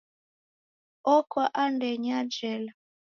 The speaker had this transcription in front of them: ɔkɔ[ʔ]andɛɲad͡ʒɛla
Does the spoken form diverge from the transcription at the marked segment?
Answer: no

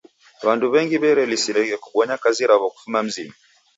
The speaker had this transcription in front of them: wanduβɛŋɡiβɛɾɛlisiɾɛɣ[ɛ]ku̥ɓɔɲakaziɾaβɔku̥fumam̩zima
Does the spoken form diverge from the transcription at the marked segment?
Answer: no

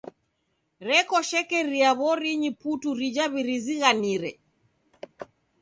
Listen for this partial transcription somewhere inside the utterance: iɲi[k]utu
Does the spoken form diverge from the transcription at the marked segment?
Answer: yes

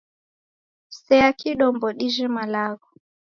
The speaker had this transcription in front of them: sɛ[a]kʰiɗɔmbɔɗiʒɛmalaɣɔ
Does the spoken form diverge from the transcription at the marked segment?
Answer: no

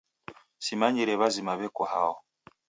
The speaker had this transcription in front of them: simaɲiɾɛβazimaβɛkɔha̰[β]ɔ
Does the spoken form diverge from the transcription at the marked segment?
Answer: yes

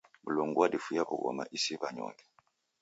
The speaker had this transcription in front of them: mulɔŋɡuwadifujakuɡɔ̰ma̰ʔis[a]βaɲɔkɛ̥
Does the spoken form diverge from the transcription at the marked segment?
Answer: yes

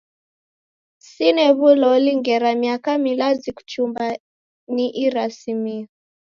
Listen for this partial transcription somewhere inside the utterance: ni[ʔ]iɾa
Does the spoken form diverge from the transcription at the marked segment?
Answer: no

